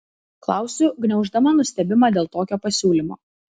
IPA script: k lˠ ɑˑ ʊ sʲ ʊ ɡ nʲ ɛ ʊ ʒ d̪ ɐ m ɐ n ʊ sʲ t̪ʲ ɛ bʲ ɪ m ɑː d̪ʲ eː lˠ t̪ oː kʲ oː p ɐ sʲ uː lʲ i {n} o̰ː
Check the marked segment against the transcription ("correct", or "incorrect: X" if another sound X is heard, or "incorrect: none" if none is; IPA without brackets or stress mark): incorrect: m